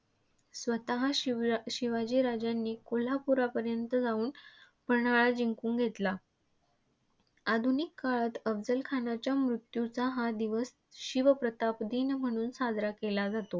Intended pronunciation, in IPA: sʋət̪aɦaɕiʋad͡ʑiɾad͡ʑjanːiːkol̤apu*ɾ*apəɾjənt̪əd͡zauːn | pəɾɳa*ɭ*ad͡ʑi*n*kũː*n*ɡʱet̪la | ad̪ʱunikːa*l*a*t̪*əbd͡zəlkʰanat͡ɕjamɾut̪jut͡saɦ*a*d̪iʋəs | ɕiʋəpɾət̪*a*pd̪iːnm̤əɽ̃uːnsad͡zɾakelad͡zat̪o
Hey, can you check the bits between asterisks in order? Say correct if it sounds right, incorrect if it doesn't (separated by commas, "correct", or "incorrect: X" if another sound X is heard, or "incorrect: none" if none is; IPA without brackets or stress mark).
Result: correct, correct, incorrect: ŋ, incorrect: ŋ, incorrect: ɭ, correct, correct, correct